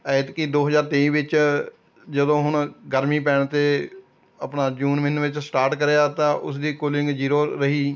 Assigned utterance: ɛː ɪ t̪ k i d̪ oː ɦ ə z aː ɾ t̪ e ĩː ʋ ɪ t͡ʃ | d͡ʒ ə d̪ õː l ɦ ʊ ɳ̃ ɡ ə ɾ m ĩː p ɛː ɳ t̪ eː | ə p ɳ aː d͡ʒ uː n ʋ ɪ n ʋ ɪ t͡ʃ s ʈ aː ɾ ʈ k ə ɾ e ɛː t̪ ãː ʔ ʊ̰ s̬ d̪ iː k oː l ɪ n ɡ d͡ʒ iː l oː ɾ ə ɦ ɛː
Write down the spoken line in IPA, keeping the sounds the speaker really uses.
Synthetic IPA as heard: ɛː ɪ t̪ k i d̪ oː ɦ ə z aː ɾ t̪ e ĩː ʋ ɪ t͡ʃ | d͡ʒ ə d̪ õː ɦ ʊ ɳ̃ ɡ ə ɾ m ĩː p ɛː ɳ t̪ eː | ə p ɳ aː d͡ʒ uː n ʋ ɪ n ʋ ɪ t͡ʃ s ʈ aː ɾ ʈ k ə ɾ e aː t̪ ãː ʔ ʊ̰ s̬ d̪ iː k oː l ɪ ŋ ɡ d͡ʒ iː ɾ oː ɾ ə ɦ iː